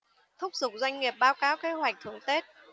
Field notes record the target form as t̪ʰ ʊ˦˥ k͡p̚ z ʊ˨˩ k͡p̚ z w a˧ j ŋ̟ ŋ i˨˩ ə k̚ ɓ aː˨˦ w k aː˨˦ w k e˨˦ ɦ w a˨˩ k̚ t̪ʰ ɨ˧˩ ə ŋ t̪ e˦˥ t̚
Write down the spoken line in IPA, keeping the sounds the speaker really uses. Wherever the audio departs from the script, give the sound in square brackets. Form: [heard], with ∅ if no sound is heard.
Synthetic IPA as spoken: t̪ʰ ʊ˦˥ k͡p̚ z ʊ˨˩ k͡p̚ z w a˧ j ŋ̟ ŋ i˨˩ ə [p̚] ɓ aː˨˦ w k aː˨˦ w k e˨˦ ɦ w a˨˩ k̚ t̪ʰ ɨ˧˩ ə ŋ t̪ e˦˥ t̚